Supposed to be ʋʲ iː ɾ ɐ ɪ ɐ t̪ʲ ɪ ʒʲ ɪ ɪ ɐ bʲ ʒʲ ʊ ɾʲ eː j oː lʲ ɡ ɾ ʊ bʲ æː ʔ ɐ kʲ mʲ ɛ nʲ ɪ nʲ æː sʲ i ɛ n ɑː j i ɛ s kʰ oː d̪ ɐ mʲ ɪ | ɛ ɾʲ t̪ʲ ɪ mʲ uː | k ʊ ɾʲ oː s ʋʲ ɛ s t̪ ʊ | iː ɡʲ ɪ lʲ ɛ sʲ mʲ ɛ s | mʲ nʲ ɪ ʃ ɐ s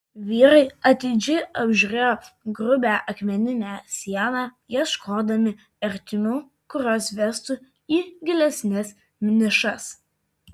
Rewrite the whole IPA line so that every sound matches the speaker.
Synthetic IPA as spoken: ʋʲ iː ɾ ɐ ɪ ɐ t̪ʲ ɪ d͡ʒʲ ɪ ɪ ɐ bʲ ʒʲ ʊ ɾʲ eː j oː ɡ ɾ ʊ bʲ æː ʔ ɐ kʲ mʲ ɛ nʲ ɪ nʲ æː sʲ i ɛ n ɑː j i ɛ ʃ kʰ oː d̪ ɐ mʲ ɪ | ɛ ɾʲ t̪ʲ ɪ mʲ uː | k ʊ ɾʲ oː s ʋʲ ɛ s t̪ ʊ | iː ɡʲ ɪ lʲ ɛ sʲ nʲ ɛ s | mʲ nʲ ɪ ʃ ɐ s